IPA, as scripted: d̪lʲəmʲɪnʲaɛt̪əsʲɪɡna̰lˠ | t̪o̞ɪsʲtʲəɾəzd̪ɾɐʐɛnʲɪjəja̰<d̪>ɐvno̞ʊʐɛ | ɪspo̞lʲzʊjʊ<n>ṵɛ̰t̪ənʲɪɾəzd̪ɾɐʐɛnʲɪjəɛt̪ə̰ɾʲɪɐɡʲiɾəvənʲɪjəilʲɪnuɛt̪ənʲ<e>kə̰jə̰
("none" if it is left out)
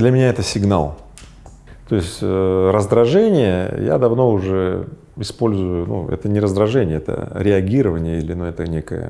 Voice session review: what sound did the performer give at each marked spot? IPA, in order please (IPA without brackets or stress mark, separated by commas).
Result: d̪, n, e